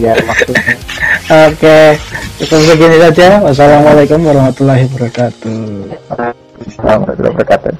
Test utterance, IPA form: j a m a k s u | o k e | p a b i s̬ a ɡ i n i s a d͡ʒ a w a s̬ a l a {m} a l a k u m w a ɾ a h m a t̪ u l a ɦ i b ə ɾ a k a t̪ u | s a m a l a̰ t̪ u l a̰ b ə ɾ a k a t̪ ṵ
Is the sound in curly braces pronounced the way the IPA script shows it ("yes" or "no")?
yes